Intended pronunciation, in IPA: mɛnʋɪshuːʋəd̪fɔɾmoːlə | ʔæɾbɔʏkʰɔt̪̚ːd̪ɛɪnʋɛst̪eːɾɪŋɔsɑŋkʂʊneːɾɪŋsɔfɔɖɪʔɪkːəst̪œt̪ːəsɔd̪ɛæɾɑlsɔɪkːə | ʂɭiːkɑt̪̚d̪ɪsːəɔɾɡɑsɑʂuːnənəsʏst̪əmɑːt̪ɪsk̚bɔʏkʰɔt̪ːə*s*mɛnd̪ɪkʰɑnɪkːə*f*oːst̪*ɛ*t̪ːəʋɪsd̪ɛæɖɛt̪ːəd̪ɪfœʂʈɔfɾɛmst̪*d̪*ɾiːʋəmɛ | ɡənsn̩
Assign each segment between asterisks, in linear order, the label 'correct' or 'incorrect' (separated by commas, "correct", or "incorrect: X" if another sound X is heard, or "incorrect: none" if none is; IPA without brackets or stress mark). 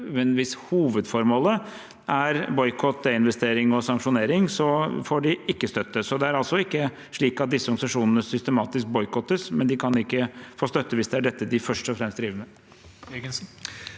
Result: correct, correct, incorrect: œ, correct